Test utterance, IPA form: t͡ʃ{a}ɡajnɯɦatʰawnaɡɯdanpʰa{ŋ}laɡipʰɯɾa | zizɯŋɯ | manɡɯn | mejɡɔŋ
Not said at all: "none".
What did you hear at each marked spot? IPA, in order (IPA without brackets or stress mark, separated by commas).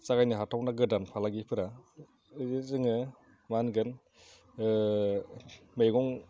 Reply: a, none